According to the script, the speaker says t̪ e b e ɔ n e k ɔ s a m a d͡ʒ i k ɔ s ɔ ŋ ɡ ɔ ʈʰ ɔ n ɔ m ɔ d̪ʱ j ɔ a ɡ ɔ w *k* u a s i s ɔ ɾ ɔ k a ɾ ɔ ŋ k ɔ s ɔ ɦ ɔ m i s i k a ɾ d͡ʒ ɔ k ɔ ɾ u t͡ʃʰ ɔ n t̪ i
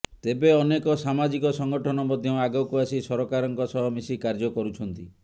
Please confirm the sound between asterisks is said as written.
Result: yes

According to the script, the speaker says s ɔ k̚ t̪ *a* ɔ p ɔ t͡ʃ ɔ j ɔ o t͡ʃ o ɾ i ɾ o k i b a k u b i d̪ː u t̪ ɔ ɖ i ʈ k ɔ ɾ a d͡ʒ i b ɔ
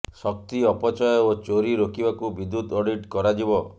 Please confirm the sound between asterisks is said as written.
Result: no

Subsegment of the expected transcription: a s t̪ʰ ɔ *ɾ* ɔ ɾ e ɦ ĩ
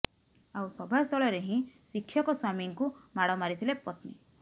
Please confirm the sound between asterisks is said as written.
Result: no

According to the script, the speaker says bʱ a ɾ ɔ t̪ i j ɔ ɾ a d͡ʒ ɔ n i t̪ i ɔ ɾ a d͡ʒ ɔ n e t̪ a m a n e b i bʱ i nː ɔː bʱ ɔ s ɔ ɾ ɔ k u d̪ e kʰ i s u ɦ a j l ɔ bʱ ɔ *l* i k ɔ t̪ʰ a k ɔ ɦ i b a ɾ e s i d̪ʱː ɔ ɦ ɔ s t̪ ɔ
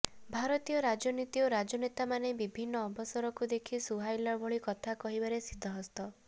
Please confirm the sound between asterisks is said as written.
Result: no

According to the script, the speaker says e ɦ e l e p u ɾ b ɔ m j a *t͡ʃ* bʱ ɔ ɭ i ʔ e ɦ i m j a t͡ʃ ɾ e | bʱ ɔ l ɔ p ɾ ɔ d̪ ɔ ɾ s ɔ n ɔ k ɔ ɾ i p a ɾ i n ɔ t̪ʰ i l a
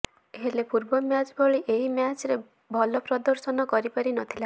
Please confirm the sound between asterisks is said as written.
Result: yes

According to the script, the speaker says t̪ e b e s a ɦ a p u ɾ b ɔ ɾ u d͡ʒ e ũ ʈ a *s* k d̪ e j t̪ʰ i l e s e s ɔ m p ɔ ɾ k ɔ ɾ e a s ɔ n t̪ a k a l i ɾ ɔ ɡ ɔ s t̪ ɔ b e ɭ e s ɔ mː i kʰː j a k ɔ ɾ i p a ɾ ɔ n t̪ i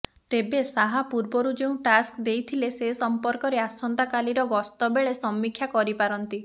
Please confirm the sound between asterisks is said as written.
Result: yes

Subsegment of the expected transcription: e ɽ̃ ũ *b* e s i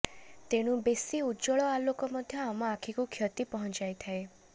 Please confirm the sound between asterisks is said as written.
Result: yes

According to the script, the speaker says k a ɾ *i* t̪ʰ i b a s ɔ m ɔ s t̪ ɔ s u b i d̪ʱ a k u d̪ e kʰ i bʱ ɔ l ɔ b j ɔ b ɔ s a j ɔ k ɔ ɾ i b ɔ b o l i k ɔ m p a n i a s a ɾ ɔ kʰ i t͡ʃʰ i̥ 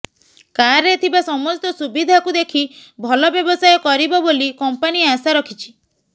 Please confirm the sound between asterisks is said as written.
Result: no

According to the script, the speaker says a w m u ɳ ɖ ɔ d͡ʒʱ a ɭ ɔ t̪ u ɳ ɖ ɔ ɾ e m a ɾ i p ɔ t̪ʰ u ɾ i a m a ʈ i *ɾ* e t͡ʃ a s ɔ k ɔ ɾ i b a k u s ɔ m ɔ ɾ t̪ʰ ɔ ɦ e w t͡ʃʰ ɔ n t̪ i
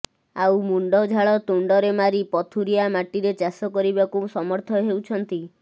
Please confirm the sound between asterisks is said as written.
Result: yes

